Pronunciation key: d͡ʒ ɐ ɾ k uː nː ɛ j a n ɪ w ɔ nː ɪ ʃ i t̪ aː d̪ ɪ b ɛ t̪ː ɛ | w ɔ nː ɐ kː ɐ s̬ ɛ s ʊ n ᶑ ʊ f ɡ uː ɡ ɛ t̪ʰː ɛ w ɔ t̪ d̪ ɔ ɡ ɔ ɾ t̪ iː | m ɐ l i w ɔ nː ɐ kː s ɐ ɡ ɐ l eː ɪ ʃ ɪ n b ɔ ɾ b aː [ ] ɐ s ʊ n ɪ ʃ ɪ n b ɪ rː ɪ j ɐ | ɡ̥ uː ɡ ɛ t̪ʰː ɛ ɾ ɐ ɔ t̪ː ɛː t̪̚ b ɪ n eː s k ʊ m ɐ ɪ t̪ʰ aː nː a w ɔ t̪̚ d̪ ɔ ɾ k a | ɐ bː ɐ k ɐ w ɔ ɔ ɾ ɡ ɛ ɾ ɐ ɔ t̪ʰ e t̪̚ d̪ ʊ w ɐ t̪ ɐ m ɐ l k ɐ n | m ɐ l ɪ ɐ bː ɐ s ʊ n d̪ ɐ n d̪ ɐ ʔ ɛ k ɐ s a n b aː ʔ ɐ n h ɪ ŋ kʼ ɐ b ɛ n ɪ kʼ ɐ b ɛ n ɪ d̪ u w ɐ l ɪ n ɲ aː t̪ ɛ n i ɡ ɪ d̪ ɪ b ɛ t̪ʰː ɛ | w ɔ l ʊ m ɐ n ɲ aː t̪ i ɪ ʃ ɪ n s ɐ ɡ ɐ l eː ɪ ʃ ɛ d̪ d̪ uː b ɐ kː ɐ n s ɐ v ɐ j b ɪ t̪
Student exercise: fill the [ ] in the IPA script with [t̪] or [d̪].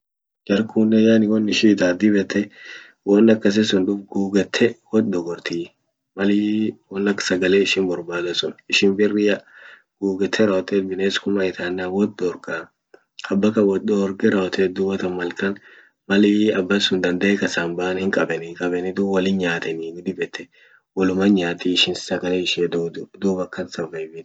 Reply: d̪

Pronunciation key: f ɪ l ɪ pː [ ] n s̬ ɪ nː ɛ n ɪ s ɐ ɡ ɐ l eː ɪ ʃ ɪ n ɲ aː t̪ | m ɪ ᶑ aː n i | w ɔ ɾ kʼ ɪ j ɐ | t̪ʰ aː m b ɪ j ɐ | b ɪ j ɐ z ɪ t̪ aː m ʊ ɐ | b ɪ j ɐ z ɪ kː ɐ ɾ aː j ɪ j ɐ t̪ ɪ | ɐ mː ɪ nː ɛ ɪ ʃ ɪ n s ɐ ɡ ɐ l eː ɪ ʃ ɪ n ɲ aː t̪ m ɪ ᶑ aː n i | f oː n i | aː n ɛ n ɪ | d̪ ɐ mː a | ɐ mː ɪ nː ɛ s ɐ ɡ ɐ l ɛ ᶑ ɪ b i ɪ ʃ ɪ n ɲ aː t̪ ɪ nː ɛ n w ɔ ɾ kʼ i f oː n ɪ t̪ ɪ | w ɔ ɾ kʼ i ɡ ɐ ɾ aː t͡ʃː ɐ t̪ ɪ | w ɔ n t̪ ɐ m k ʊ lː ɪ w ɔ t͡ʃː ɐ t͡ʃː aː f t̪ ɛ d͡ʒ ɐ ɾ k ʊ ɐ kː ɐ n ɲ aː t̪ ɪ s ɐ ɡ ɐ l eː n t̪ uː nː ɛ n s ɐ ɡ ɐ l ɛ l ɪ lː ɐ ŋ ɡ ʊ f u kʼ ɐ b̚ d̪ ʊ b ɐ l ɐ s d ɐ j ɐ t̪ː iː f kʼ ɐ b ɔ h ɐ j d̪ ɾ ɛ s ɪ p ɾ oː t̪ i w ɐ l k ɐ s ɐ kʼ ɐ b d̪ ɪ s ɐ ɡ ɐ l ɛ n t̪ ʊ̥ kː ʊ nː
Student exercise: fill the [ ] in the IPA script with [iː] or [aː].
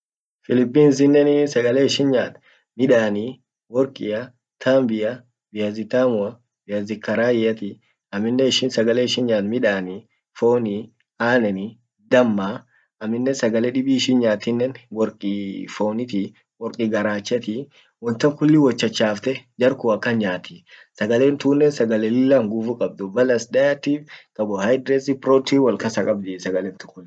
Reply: iː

